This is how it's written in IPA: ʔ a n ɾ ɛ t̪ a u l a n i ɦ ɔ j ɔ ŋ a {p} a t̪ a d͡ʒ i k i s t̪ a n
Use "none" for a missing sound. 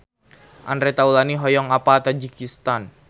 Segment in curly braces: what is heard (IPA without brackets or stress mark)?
p